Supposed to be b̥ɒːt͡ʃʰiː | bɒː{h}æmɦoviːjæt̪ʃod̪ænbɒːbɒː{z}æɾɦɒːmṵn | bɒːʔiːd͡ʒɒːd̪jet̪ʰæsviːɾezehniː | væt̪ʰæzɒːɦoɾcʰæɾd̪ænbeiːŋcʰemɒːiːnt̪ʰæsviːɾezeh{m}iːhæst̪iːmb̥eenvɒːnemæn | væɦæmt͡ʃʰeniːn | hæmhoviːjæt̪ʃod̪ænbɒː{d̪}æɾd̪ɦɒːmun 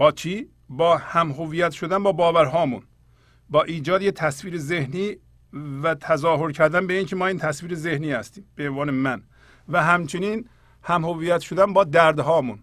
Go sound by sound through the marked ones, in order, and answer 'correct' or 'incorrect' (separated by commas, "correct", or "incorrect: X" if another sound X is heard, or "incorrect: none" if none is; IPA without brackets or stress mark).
correct, incorrect: v, incorrect: n, correct